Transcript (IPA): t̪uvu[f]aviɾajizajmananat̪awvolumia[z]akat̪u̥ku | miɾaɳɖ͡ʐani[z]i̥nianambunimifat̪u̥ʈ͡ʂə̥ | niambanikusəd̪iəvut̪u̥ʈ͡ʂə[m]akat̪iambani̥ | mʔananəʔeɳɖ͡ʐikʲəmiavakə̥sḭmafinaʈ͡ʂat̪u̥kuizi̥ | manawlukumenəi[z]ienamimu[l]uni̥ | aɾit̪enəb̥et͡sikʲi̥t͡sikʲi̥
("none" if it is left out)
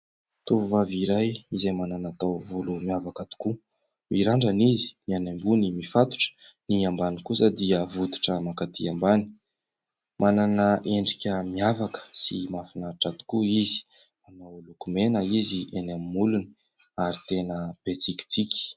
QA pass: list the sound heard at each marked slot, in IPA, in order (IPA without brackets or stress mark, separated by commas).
v, v, z, m, z, l